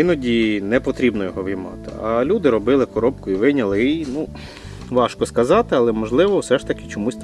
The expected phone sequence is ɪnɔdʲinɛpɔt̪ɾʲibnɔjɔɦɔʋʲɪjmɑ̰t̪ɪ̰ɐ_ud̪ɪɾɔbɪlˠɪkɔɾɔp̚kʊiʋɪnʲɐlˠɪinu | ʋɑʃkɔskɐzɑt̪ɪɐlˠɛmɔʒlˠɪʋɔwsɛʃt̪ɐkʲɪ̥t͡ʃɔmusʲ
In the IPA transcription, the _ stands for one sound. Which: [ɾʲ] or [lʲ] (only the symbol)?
lʲ